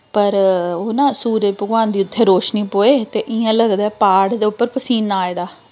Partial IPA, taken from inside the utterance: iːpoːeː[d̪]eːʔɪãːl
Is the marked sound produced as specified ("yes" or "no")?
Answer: no